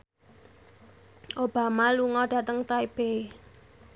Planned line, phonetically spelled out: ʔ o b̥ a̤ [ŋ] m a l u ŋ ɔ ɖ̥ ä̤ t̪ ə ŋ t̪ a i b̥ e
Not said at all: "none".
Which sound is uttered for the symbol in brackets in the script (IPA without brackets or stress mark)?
none